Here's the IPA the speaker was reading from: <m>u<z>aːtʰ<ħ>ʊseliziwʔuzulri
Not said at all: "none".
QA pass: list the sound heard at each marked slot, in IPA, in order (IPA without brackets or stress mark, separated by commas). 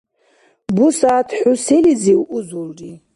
b, s, ħ